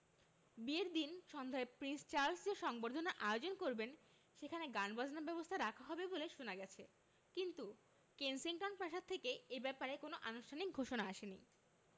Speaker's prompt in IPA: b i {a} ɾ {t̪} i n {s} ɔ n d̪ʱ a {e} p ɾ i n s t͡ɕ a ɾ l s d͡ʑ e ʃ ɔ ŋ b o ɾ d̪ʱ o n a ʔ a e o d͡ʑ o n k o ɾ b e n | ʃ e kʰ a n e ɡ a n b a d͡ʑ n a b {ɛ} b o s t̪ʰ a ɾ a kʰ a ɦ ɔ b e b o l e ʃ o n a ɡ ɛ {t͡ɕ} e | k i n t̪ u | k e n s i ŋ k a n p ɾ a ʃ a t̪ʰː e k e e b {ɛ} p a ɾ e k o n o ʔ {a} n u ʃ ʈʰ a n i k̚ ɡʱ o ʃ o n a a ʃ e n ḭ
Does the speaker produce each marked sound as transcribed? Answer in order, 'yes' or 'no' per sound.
no, no, no, yes, yes, no, yes, yes

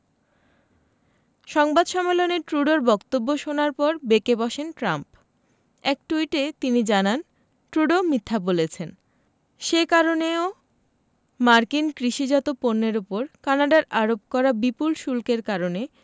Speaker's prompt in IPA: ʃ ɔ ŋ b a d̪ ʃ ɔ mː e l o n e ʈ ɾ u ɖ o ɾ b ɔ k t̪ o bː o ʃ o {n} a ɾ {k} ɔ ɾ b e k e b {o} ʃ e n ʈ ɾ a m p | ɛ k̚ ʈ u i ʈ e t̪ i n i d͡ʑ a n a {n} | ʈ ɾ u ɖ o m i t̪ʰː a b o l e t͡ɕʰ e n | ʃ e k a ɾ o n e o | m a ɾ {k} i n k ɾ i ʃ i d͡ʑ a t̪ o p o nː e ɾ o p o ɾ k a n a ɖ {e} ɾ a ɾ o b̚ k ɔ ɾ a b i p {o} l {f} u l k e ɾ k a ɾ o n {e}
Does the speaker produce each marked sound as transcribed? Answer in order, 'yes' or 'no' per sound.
yes, no, no, yes, yes, no, no, no, yes

